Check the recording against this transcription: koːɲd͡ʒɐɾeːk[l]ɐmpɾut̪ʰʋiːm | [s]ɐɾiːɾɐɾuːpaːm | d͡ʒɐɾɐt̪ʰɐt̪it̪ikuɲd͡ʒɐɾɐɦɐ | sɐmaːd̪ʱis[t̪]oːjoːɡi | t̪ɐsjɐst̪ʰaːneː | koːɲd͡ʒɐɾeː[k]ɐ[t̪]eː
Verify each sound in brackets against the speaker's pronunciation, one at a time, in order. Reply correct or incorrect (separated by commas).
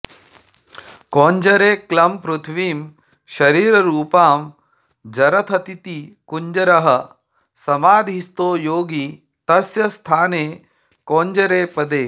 correct, incorrect, correct, incorrect, incorrect